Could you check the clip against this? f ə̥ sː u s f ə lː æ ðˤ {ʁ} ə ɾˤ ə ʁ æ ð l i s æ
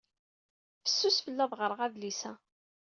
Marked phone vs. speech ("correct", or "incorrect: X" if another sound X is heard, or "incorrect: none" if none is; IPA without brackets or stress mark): correct